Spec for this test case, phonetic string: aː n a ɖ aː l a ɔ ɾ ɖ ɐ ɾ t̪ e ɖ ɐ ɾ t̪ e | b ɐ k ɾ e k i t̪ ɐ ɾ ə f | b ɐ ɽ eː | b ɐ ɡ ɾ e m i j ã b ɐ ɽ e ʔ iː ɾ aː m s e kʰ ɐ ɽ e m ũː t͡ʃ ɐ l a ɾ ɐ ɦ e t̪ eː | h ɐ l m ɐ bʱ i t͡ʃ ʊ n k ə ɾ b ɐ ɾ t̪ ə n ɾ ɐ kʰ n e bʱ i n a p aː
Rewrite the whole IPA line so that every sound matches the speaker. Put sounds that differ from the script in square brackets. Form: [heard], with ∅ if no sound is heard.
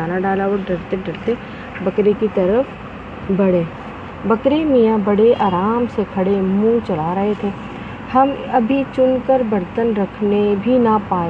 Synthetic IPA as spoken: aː n a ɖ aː l a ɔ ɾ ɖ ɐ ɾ t̪ e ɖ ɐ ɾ t̪ e | b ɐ k ɾ e k i t̪ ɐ ɾ ə f | b ɐ ɽ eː | b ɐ [k] ɾ e m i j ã b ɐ ɽ e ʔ [aː] ɾ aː m s e kʰ ɐ ɽ e m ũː t͡ʃ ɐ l a ɾ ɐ ɦ e [t̪ʰ] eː | h ɐ [∅] m ɐ bʱ i t͡ʃ ʊ n k ə ɾ b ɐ ɾ t̪ ə n ɾ ɐ kʰ n e bʱ i n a p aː